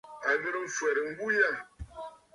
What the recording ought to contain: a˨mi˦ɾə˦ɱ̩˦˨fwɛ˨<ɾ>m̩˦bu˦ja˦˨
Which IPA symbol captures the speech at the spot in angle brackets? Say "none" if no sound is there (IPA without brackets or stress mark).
ɾ